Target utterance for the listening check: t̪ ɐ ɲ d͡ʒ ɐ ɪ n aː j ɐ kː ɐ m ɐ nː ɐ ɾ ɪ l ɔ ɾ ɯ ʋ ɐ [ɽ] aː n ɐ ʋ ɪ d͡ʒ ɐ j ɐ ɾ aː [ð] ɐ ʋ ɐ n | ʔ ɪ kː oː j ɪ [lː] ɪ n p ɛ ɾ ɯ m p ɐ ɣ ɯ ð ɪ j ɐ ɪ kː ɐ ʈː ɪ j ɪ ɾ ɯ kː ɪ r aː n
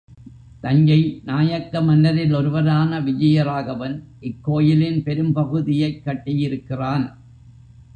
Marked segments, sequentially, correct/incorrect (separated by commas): incorrect, incorrect, incorrect